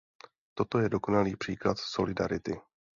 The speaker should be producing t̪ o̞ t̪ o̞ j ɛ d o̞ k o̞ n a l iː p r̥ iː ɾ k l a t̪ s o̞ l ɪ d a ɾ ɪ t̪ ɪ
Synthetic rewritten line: t̪ o̞ t̪ o̞ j ɛ d o̞ k o̞ n a l iː p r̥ iː k l a t̪ s o̞ l ɪ d a ɾ ɪ t̪ ɪ